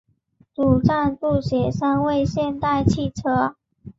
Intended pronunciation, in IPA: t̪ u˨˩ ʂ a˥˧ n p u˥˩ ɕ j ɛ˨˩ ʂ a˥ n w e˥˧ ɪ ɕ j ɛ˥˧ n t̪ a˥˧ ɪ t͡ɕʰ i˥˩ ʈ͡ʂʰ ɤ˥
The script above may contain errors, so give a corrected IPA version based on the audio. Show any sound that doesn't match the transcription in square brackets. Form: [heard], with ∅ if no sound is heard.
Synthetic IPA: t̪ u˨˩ [ʈ͡ʂ] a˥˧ n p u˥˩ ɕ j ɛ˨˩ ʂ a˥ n w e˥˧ ɪ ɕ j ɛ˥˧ n t̪ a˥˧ ɪ t͡ɕʰ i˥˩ ʈ͡ʂʰ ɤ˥